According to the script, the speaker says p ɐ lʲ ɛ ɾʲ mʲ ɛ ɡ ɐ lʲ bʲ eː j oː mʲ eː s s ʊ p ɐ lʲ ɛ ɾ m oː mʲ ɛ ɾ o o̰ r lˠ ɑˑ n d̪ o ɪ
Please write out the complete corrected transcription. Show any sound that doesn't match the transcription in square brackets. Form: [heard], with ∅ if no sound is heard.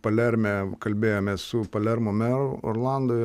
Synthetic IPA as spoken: p ɐ lʲ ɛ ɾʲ mʲ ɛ [k] ɐ lʲ bʲ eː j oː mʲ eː s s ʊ p ɐ lʲ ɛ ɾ m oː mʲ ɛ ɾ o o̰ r lˠ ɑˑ n d̪ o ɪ

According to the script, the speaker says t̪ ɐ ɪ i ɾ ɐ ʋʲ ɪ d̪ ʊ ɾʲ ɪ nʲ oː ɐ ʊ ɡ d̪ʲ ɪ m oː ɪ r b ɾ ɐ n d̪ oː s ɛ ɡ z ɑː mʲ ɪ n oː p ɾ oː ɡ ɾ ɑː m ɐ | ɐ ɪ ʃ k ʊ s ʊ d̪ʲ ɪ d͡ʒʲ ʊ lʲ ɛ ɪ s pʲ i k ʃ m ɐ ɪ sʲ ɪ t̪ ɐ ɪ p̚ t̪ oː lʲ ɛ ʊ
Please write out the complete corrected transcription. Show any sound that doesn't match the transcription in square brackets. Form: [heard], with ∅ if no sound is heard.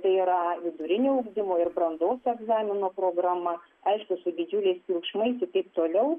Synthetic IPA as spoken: t̪ ɐ ɪ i ɾ ɐ ʋʲ ɪ d̪ ʊ ɾʲ ɪ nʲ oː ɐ ʊ ɡ d̪ʲ ɪ m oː ɪ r b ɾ ɐ n d̪ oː s ɛ ɡ z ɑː mʲ ɪ n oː p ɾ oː ɡ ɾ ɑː m ɐ | ɐ ɪ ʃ k ʊ s ʊ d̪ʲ ɪ d͡ʒʲ ʊ lʲ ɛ ɪ s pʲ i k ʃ m ɐ ɪ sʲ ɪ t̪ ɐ ɪ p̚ t̪ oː lʲ ɛ ʊ

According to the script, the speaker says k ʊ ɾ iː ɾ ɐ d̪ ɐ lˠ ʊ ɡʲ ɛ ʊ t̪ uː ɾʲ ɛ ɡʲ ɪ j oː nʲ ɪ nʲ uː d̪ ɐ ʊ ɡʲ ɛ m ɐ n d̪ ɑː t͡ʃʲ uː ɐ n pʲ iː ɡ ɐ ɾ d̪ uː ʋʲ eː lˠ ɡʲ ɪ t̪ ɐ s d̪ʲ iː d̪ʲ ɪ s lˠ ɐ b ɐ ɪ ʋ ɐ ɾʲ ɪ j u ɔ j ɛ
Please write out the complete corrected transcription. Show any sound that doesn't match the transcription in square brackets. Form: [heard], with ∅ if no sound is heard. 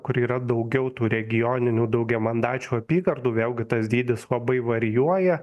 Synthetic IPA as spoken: k ʊ ɾ iː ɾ ɐ d̪ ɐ [∅] ʊ ɡʲ ɛ ʊ t̪ uː ɾʲ ɛ ɡʲ ɪ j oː nʲ ɪ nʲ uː d̪ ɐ ʊ ɡʲ ɛ m ɐ n d̪ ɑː t͡ʃʲ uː ɐ [∅] pʲ iː ɡ ɐ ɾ d̪ uː ʋʲ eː lˠ ɡʲ ɪ t̪ ɐ s d̪ʲ iː d̪ʲ ɪ s lˠ ɐ b ɐ ɪ ʋ ɐ ɾʲ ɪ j u ɔ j ɛ

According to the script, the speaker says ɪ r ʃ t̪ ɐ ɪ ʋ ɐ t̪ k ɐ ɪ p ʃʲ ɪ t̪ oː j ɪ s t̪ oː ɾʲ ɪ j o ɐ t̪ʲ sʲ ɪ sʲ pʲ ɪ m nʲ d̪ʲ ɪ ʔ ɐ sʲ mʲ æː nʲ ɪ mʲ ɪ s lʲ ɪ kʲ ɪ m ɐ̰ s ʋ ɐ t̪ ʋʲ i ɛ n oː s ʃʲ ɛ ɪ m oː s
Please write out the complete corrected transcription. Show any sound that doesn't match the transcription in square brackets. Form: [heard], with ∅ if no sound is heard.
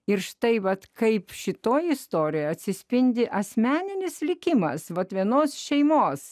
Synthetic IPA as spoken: ɪ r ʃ t̪ ɐ ɪ ʋ ɐ t̪ k ɐ ɪ p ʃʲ ɪ t̪ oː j ɪ s t̪ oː ɾʲ ɪ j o ɐ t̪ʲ sʲ ɪ sʲ pʲ ɪ [∅] nʲ d̪ʲ ɪ ʔ ɐ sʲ mʲ æː nʲ ɪ [nʲ] ɪ s lʲ ɪ kʲ ɪ m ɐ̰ s ʋ ɐ t̪ ʋʲ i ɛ n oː s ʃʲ ɛ ɪ m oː s

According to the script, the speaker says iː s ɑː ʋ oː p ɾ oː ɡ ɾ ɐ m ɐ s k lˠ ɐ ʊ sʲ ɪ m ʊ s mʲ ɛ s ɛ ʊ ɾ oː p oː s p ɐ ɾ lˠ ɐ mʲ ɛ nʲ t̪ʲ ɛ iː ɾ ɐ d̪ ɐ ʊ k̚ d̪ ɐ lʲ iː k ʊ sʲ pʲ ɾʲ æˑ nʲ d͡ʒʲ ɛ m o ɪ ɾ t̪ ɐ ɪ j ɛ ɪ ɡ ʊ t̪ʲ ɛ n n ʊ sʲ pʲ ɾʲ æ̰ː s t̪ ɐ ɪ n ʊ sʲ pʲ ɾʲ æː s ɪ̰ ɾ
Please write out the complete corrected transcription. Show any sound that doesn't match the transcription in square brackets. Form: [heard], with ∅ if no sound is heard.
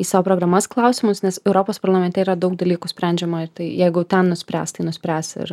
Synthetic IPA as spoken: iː s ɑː ʋ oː p ɾ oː ɡ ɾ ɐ m ɐ s k lˠ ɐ ʊ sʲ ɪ m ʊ s [nʲ] ɛ s ɛ ʊ ɾ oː p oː s p ɐ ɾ lˠ ɐ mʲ ɛ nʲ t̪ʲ ɛ iː ɾ ɐ d̪ ɐ ʊ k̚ d̪ ɐ lʲ iː k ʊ sʲ pʲ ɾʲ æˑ nʲ d͡ʒʲ ɛ m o ɪ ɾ t̪ ɐ ɪ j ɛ ɪ ɡ ʊ t̪ʲ ɛ n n ʊ sʲ pʲ ɾʲ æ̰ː s t̪ ɐ ɪ n ʊ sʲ pʲ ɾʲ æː s ɪ̰ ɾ

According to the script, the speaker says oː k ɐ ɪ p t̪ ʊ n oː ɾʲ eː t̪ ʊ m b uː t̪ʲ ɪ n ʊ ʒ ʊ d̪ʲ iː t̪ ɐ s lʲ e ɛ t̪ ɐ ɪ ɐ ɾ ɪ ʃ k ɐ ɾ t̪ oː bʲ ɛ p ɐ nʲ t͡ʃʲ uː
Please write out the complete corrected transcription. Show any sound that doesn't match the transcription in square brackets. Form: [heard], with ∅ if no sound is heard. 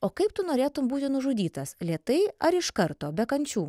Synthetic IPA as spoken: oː k ɐ ɪ p t̪ ʊ n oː ɾʲ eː t̪ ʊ m b uː t̪ʲ ɪ n ʊ ʒ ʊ d̪ʲ iː t̪ ɐ s lʲ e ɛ t̪ ɐ ɪ ɐ ɾ ɪ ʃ k ɐ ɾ t̪ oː bʲ ɛ [k] ɐ nʲ t͡ʃʲ uː

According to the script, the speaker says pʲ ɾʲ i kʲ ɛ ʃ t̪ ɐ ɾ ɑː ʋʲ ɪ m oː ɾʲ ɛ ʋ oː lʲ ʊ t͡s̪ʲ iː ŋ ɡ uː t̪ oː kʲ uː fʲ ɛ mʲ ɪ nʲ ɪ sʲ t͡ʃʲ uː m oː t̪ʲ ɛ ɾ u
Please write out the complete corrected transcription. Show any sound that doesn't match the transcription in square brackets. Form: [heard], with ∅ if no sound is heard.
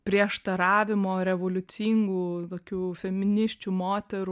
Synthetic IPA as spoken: pʲ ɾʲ i [∅] ɛ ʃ t̪ ɐ ɾ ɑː ʋʲ ɪ m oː ɾʲ ɛ ʋ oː lʲ ʊ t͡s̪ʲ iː ŋ ɡ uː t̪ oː kʲ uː fʲ ɛ mʲ ɪ nʲ ɪ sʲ t͡ʃʲ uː m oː t̪ʲ ɛ ɾ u

